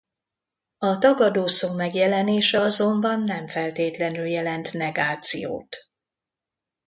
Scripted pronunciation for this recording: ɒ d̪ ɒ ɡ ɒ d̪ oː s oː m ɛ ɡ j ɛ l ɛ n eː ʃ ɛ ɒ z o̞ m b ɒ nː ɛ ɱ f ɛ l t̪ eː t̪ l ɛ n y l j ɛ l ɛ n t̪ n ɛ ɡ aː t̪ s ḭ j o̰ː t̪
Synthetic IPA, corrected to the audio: ɒ t̪ ɒ ɡ ɒ d̪ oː s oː m ɛ ɡ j ɛ l ɛ n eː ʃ ɛ ɒ z o̞ m b ɒ nː ɛ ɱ f ɛ l t̪ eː t̪ l ɛ n y l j ɛ l ɛ n t̪ n ɛ ɡ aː t̪ s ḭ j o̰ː t̪